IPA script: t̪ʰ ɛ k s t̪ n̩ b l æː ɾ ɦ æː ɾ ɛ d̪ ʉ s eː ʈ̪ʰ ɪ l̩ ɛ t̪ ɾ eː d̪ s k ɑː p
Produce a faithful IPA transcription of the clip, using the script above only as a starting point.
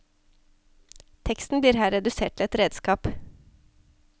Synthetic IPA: t̪ʰ ɛ k s t̪ n̩ b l iː ɾ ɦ æː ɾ ɛ d̪ ʉ s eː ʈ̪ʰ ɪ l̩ ɛ t̪ ɾ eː d̪ s k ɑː p